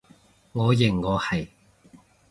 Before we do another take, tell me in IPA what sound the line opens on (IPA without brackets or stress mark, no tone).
ŋ